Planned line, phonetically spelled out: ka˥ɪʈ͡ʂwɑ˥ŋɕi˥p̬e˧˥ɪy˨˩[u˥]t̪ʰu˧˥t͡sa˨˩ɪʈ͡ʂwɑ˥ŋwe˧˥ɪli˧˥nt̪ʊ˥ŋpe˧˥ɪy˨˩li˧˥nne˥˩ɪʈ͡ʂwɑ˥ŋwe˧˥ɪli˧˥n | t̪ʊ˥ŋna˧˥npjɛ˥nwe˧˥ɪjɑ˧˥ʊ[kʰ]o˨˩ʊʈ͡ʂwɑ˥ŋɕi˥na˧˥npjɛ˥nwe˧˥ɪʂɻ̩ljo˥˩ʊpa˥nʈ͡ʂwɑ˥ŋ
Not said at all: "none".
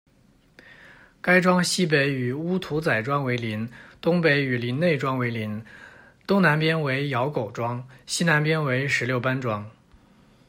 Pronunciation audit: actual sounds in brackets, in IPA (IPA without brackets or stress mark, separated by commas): u˥, k